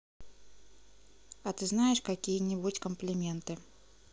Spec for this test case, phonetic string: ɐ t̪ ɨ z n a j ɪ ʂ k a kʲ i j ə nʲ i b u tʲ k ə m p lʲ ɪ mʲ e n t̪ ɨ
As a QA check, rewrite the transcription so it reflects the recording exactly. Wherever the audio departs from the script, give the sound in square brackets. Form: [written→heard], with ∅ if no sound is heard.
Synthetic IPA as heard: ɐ t̪ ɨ z n a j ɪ ʂ k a kʲ i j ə nʲ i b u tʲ k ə m p lʲ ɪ mʲ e n t̪ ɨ